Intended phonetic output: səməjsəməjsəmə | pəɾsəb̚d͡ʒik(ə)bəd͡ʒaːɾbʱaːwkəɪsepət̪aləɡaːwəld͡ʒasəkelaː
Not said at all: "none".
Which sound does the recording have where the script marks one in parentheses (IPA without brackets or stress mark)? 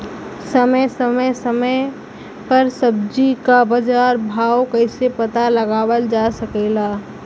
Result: a